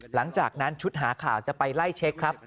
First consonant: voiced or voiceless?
voiced